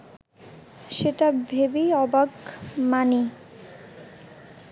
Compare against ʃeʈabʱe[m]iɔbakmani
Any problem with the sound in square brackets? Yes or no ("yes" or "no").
yes